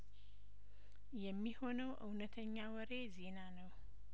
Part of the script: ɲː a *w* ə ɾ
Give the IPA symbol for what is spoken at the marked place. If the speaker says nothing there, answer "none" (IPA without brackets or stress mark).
w